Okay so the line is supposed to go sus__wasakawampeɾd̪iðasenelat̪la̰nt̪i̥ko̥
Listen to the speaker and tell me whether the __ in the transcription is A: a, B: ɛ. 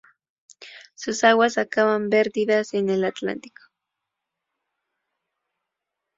A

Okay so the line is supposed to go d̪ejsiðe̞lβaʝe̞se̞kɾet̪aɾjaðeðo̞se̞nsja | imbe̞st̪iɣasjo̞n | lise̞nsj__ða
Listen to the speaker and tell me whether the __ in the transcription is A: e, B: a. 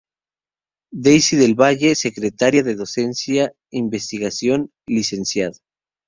B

